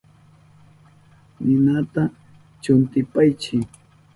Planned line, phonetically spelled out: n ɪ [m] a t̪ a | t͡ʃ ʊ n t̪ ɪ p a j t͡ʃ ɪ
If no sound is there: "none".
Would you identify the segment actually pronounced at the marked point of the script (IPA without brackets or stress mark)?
n